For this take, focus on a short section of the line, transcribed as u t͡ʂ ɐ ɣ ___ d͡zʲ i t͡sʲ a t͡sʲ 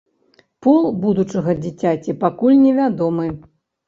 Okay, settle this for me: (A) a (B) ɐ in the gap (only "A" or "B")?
B